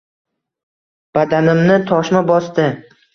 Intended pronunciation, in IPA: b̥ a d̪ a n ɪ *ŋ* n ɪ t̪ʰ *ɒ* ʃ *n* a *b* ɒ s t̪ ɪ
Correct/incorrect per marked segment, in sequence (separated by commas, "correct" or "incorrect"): incorrect, correct, incorrect, correct